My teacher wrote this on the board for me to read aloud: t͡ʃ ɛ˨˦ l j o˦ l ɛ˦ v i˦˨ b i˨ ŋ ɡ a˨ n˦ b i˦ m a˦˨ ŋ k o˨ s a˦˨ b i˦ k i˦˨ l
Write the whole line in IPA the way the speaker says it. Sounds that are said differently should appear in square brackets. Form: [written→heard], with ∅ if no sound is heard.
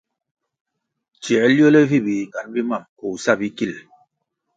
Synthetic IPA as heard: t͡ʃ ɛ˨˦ l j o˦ l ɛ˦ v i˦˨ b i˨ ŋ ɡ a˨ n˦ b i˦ m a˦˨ [ŋ→m] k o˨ s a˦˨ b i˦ k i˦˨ l